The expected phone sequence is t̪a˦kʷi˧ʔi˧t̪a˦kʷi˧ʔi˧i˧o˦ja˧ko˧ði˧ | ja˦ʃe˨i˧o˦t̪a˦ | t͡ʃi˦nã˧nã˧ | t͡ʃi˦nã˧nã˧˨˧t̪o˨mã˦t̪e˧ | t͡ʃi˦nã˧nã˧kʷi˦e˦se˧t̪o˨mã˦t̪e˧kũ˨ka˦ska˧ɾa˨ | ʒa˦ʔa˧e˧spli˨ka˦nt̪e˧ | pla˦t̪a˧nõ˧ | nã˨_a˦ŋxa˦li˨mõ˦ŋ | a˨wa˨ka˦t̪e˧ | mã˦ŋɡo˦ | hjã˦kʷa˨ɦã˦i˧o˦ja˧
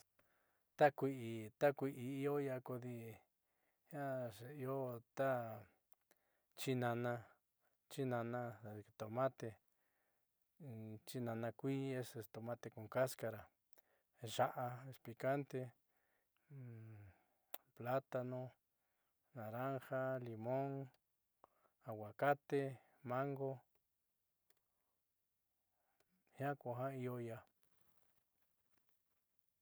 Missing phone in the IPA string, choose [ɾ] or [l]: ɾ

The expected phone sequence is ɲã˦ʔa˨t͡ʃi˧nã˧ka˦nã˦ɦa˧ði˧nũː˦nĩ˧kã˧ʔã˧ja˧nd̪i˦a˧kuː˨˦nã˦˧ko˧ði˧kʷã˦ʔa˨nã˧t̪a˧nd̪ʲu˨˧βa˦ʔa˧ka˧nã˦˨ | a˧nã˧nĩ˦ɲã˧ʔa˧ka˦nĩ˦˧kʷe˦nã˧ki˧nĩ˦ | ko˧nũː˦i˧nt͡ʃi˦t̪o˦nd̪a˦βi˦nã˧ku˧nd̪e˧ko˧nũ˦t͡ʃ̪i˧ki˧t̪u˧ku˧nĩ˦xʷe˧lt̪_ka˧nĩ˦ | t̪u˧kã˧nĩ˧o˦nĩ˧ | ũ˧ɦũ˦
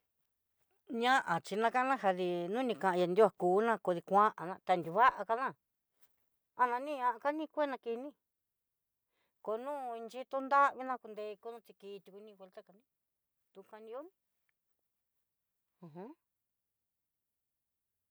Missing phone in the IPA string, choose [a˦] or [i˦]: a˦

